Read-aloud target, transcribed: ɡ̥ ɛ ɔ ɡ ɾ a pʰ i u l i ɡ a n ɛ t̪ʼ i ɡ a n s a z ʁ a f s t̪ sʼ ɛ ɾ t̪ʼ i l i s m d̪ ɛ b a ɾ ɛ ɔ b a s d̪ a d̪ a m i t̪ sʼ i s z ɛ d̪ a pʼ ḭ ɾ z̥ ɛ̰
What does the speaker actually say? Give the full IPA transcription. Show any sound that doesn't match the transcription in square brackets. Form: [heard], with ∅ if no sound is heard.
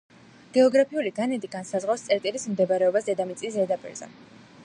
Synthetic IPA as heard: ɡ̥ ɛ ɔ ɡ ɾ a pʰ i u l i ɡ a n ɛ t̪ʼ i ɡ a n s a z ʁ a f s t̪ sʼ ɛ ɾ t̪ʼ i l i s m d̪ ɛ b a ɾ ɛ ɔ b a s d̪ [ɛ] d̪ a m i t̪ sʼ i s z ɛ d̪ a pʼ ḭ ɾ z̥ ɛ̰